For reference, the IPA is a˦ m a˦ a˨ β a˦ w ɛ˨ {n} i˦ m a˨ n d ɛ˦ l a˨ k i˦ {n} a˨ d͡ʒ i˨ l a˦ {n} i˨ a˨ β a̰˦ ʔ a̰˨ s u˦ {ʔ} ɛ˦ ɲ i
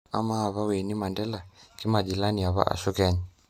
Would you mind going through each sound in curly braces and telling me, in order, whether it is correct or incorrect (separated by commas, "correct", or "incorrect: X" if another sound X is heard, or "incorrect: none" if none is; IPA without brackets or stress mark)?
correct, incorrect: m, correct, incorrect: k